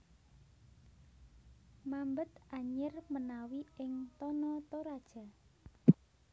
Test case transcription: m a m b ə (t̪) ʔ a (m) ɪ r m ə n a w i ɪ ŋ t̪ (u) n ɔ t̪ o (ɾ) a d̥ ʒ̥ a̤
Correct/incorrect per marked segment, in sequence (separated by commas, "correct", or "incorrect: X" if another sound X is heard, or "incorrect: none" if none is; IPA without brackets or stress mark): correct, incorrect: ɲ, incorrect: ɔ, correct